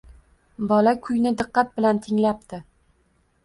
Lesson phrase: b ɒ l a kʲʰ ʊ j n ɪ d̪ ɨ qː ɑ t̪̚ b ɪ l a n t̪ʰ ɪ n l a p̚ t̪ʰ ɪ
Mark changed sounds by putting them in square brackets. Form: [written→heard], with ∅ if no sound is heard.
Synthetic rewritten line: b ɒ l a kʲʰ ʊ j n ɪ d̪ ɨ qː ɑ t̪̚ b ɪ l a n t̪ʰ ɪ [n→ŋ] l a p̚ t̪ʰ ɪ